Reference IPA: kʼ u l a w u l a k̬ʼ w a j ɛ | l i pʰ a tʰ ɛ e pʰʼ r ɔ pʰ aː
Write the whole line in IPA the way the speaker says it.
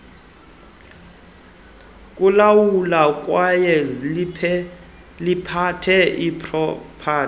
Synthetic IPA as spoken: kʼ u l a w u l a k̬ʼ w a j ɛ | l i pʰ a tʰ ɛ i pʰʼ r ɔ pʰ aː